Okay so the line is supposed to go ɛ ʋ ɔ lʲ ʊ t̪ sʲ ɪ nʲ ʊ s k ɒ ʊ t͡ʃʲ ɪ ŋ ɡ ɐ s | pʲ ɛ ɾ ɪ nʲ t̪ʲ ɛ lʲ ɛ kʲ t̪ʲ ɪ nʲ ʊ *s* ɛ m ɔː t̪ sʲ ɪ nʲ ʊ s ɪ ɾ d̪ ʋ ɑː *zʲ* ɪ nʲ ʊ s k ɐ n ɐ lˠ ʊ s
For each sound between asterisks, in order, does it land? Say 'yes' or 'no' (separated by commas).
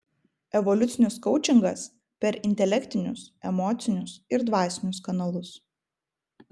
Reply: yes, no